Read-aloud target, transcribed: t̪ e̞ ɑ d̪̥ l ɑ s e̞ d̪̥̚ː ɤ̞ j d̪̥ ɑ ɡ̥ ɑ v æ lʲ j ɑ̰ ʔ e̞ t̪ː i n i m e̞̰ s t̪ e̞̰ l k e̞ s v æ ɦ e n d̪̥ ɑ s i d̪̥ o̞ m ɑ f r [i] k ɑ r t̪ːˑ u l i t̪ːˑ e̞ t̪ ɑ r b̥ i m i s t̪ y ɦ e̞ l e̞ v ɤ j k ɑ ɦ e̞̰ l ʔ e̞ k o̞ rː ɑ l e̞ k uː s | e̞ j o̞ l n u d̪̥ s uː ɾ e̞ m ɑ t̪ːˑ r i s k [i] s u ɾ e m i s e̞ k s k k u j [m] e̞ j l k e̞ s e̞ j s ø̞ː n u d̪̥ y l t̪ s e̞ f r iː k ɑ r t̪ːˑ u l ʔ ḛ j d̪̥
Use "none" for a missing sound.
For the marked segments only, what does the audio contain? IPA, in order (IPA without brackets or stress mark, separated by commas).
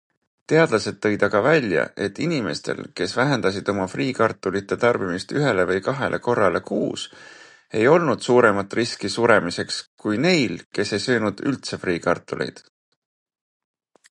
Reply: iː, i, n